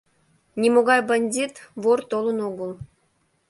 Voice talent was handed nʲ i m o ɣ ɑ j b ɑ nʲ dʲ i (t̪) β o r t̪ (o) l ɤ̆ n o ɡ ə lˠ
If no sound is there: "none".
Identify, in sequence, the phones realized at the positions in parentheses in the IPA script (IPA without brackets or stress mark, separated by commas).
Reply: t̪, o